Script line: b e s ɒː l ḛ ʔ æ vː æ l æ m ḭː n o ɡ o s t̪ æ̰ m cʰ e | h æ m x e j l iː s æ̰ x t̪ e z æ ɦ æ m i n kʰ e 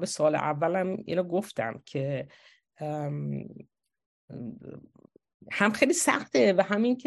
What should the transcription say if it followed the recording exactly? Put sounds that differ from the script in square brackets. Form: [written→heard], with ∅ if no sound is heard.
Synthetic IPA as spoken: b e s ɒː l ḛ ʔ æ vː æ l æ m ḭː n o ɡ o [s→f] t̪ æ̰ m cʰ e | h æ m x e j l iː s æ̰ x t̪ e [z→v] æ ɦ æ m i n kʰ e